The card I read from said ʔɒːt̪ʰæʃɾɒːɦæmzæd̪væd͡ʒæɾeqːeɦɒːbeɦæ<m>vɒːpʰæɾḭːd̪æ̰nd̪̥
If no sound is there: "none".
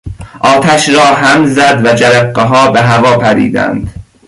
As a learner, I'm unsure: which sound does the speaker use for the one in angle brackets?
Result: none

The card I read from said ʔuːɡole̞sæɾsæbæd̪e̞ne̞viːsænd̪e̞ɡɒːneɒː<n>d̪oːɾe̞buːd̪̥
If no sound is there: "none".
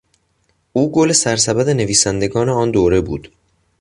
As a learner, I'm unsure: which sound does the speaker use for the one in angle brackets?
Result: n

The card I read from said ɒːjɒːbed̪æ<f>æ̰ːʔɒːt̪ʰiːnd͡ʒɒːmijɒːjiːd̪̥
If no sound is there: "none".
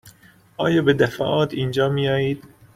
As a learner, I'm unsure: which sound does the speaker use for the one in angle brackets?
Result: f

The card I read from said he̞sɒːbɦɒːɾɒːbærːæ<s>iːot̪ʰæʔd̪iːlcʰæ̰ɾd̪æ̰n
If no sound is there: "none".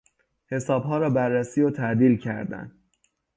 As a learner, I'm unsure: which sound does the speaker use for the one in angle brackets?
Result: s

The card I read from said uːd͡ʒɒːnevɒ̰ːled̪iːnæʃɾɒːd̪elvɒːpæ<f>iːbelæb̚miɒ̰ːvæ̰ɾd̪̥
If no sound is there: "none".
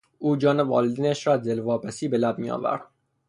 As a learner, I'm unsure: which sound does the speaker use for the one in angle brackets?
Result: s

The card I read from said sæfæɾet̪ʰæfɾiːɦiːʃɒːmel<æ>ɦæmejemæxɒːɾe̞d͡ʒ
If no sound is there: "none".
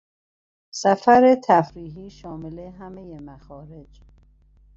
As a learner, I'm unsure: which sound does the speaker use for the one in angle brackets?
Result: e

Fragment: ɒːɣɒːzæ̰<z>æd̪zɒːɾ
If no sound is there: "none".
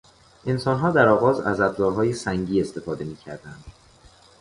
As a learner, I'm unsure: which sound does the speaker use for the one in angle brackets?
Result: z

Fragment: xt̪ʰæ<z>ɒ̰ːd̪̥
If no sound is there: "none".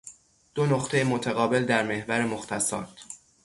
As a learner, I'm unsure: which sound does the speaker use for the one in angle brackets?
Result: s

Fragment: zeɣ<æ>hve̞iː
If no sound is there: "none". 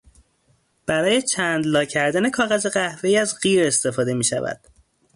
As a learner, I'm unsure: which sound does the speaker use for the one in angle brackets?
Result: æ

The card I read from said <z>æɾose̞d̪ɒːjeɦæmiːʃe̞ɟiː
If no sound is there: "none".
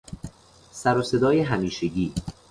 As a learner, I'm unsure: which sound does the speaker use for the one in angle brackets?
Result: s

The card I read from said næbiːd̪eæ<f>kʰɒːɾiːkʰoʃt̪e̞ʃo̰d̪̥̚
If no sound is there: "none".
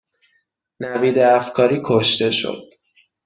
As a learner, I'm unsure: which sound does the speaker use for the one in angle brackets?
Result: f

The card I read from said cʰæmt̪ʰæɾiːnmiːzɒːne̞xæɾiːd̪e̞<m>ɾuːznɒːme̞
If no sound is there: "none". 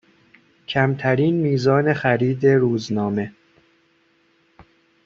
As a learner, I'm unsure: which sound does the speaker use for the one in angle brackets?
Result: none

